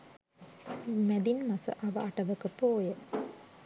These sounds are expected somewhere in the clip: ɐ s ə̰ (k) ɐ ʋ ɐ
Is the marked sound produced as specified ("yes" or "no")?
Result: no